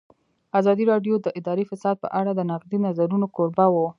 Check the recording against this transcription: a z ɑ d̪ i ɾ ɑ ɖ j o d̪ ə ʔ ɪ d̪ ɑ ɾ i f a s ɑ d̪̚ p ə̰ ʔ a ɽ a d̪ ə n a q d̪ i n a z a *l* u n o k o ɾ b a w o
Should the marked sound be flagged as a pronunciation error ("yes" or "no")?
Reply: yes